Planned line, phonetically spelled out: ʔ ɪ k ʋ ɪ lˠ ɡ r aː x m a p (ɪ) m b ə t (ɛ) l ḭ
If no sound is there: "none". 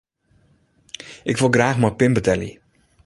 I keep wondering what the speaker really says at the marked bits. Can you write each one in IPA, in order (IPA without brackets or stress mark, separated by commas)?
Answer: ɪ, ɛ